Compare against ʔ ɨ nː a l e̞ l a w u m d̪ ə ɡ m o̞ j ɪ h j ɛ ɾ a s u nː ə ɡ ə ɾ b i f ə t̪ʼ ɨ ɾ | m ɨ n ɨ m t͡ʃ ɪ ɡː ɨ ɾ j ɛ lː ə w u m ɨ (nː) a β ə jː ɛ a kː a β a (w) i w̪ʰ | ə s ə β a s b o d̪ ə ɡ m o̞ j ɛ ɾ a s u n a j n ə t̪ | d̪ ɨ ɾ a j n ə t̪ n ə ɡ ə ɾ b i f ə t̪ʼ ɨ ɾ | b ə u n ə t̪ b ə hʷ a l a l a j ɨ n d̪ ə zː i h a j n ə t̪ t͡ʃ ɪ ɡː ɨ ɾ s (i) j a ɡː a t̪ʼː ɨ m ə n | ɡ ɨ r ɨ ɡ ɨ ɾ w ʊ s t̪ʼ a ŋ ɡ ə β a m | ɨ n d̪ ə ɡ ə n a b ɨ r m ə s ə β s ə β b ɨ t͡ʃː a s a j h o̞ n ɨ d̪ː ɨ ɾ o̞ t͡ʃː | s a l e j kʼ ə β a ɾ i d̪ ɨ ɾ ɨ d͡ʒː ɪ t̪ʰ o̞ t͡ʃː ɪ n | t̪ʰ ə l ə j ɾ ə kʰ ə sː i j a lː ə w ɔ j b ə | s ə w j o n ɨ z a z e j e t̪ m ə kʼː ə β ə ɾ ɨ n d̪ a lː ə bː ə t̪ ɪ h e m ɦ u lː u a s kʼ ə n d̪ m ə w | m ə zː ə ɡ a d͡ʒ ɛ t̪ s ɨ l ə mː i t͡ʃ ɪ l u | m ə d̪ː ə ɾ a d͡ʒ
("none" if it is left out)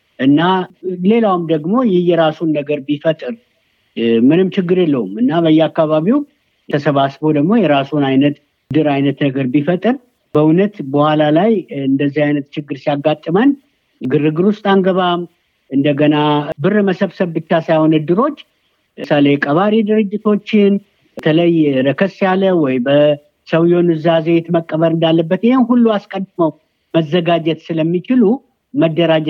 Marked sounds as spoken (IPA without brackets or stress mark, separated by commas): nː, β, i